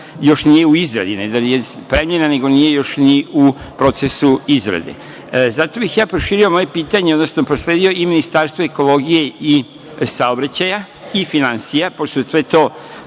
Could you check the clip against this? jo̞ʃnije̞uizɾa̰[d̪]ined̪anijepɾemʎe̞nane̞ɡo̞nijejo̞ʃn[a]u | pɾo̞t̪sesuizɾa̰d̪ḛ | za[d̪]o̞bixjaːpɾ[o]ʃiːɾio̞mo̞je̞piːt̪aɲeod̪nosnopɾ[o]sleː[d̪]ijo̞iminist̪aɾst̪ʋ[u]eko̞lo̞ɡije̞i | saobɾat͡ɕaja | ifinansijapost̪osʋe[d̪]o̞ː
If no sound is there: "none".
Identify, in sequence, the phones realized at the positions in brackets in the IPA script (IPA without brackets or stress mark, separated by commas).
d̪, i, t̪, o, o, d̪, o, t̪